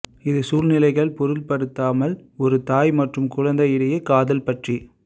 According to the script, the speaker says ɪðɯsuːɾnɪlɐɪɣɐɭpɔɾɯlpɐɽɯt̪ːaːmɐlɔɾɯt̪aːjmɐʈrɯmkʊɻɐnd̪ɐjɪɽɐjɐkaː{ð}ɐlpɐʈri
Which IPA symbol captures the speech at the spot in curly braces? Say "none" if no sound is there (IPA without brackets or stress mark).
ð